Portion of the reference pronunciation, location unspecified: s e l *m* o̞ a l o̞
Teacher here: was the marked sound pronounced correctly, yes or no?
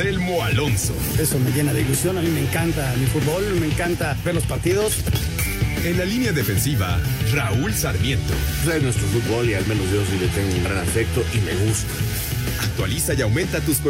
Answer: yes